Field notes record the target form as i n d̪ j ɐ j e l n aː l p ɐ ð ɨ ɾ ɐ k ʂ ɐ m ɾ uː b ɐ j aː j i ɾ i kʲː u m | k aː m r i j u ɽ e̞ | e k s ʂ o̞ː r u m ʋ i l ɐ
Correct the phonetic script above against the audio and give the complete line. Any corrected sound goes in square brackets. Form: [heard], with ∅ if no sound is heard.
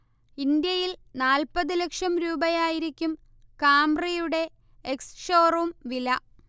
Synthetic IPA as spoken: i n d̪ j ɐ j [i] l n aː l p ɐ ð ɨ [l] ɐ k ʂ ɐ m ɾ uː b ɐ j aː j i ɾ i kʲː u m | k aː m r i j u ɽ e̞ | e k s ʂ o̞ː r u m ʋ i l ɐ